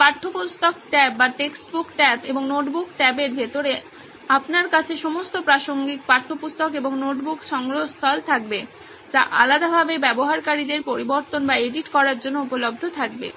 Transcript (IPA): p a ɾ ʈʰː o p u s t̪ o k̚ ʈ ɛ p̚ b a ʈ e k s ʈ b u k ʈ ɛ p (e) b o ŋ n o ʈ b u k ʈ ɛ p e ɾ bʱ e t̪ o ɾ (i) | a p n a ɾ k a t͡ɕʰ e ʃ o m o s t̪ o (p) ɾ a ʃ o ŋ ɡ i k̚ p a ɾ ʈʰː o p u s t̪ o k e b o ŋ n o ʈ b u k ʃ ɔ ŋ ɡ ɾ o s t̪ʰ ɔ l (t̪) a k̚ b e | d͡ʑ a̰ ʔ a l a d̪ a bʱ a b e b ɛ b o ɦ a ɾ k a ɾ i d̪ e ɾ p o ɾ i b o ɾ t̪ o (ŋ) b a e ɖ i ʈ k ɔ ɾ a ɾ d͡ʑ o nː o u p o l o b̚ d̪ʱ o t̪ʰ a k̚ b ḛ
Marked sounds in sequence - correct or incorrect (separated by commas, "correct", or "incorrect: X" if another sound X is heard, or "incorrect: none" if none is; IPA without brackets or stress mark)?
correct, incorrect: e, correct, incorrect: t̪ʰ, incorrect: n